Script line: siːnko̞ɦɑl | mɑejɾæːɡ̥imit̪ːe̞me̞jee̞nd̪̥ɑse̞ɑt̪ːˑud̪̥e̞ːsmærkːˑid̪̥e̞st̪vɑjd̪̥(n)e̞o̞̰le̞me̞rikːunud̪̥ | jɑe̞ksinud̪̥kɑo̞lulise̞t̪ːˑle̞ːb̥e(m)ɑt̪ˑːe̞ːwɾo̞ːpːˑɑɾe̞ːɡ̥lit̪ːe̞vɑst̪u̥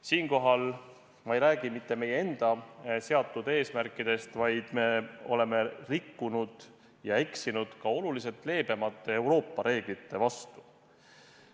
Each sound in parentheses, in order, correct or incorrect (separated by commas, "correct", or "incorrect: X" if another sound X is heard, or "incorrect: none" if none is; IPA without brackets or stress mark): incorrect: m, correct